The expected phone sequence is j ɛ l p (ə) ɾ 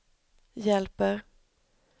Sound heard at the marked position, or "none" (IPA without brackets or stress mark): ə